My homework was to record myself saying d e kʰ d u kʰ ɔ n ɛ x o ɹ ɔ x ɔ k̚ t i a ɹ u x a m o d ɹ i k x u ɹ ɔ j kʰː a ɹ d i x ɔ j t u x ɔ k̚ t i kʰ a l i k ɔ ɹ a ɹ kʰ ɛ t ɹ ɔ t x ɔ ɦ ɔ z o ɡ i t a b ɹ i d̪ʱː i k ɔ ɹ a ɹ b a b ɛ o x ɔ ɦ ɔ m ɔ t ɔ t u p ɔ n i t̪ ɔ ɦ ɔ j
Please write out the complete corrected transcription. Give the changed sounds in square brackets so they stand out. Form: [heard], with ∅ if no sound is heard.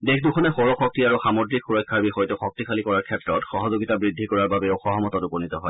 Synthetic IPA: d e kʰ d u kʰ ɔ n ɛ x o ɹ ɔ x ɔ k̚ t i a ɹ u x a m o d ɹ i k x u ɹ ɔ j kʰː a ɹ [b] i x ɔ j t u x ɔ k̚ t i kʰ a l i k ɔ ɹ a ɹ kʰ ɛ t ɹ ɔ t x ɔ ɦ ɔ z o ɡ i t a b ɹ i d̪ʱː i k ɔ ɹ a ɹ b a b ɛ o x ɔ ɦ ɔ m ɔ t ɔ t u p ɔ n i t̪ ɔ ɦ ɔ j